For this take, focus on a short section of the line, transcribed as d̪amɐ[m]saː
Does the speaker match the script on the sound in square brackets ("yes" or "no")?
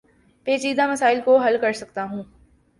no